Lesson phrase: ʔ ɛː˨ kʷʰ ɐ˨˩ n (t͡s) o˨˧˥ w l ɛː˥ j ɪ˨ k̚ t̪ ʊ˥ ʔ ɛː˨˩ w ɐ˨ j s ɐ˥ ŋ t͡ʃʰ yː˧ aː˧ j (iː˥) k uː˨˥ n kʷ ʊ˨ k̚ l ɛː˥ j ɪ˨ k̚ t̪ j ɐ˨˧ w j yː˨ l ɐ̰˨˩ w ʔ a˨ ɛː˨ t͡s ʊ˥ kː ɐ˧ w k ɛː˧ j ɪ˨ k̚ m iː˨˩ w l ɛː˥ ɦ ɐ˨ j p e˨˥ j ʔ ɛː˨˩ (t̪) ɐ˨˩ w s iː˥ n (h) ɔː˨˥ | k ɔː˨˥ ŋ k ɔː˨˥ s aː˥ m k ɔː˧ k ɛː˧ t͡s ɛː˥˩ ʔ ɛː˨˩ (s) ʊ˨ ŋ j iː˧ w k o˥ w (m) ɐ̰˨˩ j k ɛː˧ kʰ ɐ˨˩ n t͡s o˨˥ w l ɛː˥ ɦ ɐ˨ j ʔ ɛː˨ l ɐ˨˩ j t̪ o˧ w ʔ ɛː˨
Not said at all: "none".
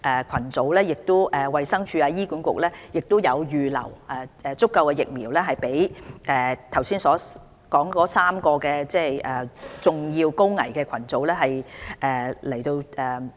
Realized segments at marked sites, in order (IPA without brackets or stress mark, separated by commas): t͡s, iː˥, t̪ʰ, s, t͡s, ŋ